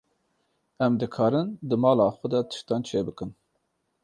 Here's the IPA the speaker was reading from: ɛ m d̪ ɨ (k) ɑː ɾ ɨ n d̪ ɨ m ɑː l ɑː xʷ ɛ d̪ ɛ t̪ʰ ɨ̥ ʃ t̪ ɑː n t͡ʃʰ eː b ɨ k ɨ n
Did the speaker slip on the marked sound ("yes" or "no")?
yes